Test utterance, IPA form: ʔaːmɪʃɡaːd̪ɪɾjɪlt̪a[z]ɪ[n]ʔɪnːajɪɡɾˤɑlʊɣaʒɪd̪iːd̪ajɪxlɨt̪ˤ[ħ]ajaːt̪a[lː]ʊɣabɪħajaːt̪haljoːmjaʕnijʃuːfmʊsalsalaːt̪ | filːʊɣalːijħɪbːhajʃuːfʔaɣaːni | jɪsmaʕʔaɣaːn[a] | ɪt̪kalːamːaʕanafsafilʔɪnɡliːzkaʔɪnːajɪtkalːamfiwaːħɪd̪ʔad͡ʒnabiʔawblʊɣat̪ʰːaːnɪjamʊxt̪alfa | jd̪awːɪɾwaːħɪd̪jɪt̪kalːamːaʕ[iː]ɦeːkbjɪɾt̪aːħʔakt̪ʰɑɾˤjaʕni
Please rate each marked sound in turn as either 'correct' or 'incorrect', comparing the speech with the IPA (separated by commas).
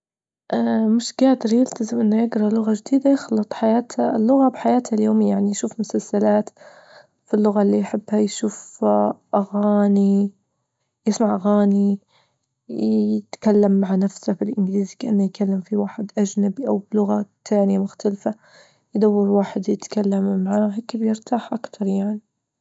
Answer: correct, incorrect, correct, correct, incorrect, incorrect